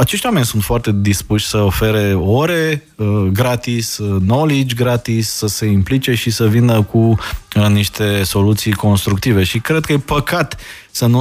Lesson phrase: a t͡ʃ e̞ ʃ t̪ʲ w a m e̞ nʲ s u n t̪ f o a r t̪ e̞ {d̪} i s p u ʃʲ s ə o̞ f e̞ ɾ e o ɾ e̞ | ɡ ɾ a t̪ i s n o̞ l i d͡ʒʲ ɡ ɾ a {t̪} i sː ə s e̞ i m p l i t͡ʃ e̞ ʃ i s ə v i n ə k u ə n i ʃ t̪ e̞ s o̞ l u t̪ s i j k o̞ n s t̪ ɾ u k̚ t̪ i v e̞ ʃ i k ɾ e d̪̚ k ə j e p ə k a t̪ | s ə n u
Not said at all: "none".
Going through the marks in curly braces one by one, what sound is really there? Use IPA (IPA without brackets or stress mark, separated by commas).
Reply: d̪, t̪